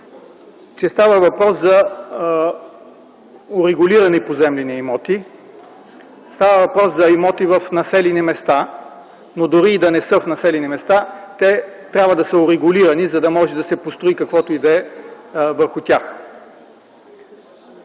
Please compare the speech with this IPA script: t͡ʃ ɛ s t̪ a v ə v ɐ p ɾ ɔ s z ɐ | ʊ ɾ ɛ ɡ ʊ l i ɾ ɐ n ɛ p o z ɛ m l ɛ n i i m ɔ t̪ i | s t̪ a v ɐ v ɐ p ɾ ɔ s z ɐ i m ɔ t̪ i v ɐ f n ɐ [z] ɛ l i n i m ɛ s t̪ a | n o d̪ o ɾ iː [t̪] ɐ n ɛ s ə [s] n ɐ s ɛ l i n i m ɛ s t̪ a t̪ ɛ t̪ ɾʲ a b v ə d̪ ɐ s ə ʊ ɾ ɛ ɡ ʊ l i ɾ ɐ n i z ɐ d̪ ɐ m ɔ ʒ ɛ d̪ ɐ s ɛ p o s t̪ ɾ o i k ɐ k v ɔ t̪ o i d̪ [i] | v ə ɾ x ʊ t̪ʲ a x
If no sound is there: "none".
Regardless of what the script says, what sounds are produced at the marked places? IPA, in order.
s, d̪, f, ɛ

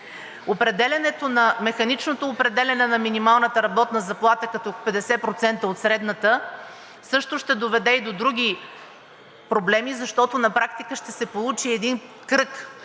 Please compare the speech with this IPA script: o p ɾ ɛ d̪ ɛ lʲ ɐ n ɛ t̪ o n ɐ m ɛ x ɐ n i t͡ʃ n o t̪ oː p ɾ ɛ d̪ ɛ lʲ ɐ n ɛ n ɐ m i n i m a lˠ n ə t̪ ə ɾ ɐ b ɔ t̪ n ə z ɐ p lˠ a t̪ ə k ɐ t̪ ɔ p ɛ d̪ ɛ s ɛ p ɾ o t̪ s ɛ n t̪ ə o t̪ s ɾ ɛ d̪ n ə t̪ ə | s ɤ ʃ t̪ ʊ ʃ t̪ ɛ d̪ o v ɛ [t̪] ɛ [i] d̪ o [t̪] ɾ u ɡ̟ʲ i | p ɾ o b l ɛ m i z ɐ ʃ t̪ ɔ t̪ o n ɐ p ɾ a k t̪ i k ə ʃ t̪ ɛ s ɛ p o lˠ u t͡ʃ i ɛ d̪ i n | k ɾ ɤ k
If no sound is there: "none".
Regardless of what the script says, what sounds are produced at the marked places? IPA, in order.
d̪, i, d̪

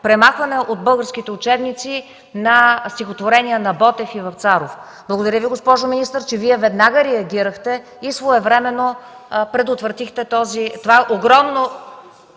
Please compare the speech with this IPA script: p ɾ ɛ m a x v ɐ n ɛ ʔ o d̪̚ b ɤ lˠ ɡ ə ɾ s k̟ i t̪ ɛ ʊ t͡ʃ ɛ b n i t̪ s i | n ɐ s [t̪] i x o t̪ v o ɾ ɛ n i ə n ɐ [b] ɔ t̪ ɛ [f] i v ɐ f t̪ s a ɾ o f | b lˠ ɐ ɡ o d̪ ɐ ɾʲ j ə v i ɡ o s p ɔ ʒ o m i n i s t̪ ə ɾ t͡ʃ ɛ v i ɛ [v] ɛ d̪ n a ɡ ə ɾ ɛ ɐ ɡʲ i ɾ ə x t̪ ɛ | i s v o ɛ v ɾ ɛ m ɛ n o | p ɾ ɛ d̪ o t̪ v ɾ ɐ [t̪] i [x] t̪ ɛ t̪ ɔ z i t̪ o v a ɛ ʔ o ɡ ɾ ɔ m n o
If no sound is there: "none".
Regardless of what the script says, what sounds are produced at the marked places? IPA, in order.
t̪, b, f, v, t̪, x

